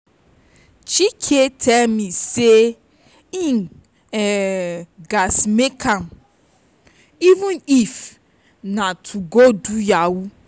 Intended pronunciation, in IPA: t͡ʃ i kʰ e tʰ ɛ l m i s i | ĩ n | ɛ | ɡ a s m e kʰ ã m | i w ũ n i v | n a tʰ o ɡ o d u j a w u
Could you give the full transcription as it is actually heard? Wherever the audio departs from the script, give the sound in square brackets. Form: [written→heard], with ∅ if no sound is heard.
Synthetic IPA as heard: t͡ʃ i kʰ e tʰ ɛ l m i s [i→e] | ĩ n | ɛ | ɡ a s m e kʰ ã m | i [w→v] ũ n i [v→f] | n a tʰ [o→u] ɡ o d u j a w u